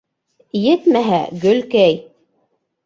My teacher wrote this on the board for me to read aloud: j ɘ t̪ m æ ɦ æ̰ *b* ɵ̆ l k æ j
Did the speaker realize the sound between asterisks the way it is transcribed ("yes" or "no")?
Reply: no